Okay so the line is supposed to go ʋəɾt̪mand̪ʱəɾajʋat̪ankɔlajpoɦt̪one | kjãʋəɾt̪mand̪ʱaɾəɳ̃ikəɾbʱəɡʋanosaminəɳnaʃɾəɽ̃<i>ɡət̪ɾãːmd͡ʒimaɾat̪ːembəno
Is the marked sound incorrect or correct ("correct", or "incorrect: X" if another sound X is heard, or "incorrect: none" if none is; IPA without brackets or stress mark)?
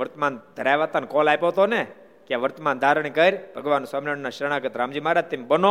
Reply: incorrect: a